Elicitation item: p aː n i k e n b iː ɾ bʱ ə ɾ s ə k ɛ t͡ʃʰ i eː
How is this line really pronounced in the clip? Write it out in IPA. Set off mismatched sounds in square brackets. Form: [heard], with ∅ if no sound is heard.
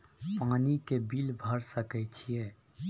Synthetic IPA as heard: p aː n i k e [∅] b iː [l] bʱ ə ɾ s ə k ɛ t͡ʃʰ i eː